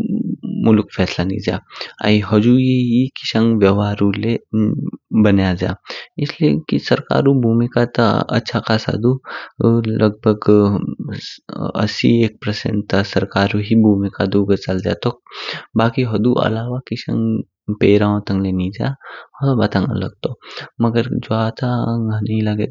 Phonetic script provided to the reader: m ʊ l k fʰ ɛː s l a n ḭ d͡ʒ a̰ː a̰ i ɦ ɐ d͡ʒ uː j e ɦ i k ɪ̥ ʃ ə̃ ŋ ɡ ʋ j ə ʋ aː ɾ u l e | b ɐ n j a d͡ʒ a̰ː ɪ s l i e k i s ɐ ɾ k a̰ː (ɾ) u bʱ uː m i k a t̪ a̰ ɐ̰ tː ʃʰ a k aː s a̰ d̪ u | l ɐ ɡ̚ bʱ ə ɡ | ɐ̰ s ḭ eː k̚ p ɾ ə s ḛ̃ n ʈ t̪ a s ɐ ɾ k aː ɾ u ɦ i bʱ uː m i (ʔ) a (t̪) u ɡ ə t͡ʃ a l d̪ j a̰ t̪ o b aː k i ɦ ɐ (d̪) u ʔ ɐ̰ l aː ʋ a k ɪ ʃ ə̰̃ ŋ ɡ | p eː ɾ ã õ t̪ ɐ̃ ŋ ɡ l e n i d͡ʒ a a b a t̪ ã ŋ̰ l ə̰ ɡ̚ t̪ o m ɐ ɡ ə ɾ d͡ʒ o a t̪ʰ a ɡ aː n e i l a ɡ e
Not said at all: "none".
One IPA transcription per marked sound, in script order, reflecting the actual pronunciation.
ɾ, k, d̪, d̪

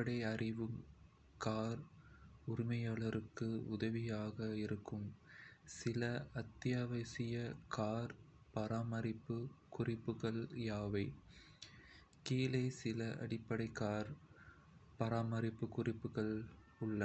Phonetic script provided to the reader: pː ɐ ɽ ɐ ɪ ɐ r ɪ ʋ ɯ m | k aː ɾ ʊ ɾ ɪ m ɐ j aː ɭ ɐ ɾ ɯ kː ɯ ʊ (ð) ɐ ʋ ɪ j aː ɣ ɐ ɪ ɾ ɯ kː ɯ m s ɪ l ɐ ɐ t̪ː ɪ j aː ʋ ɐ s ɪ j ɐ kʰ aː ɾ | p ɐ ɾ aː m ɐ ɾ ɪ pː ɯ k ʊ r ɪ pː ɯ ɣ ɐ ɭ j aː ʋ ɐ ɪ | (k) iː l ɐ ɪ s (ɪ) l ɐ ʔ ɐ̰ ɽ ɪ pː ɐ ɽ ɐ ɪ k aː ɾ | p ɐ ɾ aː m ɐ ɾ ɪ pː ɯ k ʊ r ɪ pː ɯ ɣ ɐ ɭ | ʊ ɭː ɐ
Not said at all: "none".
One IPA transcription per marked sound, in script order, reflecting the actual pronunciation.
ð, k, ɪ

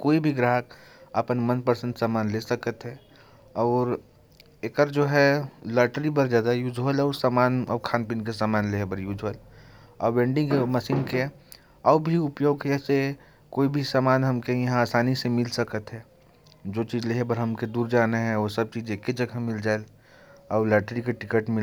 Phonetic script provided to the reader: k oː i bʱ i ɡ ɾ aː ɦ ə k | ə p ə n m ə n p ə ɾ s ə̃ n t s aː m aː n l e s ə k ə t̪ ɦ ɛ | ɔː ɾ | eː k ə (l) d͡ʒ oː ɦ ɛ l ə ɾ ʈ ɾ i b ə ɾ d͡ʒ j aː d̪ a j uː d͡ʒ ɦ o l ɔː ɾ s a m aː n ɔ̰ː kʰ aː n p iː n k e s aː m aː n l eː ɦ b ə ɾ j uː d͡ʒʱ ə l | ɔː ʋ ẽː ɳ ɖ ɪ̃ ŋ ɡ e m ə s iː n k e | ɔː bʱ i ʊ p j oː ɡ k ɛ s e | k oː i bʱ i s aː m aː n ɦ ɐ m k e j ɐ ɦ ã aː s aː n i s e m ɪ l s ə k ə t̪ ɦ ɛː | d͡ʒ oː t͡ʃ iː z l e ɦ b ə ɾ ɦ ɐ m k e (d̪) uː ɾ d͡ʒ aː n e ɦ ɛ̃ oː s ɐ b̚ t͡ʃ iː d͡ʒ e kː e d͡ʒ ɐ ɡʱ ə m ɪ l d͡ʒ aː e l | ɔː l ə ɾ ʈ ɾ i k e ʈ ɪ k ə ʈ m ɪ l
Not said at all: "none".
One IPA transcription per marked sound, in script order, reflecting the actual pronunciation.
ɾ, d̪

